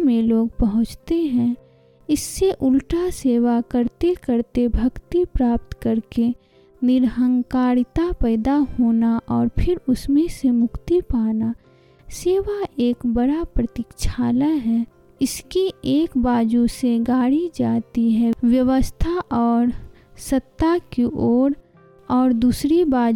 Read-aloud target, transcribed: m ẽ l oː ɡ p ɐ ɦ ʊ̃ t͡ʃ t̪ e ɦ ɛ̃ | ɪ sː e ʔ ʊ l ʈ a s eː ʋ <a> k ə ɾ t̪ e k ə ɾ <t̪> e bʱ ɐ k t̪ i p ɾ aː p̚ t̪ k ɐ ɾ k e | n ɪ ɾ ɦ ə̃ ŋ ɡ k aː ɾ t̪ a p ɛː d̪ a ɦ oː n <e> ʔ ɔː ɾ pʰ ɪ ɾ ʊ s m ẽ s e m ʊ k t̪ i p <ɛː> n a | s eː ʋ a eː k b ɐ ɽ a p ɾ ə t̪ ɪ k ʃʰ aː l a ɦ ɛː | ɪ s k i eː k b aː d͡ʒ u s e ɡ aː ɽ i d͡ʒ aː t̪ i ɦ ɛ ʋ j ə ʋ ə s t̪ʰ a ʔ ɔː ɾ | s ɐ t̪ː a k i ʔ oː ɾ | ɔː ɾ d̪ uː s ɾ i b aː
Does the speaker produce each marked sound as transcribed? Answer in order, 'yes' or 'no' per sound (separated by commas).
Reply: yes, yes, no, no